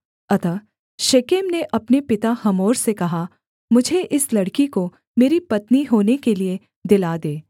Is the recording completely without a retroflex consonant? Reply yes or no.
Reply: no